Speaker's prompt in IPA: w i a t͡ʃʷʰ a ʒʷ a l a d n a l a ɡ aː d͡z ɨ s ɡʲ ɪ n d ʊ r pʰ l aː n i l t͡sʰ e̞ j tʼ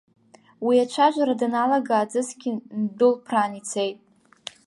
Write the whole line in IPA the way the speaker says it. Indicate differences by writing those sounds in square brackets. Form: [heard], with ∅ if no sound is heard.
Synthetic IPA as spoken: w i a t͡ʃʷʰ a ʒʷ a [ɾ] a d n a l a ɡ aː d͡z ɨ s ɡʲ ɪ n d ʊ [l] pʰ [r] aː n i [∅] t͡sʰ e̞ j tʼ